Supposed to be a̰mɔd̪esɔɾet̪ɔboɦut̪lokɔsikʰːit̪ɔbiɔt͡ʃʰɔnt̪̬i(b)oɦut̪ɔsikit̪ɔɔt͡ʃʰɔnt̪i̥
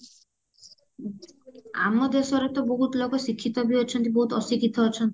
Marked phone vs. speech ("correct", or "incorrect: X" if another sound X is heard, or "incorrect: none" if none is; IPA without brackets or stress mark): correct